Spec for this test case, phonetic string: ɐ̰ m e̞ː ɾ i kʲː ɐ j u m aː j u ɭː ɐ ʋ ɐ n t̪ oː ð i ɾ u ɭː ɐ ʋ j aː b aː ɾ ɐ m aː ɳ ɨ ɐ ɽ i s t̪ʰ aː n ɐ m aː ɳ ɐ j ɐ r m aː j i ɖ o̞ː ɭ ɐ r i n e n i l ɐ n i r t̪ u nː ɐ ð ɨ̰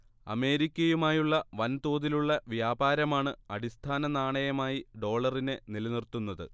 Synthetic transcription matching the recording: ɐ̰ m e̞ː ɾ i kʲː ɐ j u m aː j u ɭː ɐ ʋ ɐ n t̪ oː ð i l u ɭː ɐ ʋ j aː b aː ɾ ɐ m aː ɳ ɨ ɐ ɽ i s t̪ʰ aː n ɐ n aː ɳ ɐ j ɐ m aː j i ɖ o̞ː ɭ ɐ r i n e n i l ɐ n i r t̪ u nː ɐ ð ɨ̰